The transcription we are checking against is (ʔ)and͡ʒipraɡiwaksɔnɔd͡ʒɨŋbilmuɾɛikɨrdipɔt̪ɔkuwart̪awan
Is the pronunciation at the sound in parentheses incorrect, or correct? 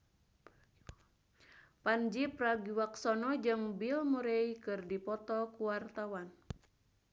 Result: incorrect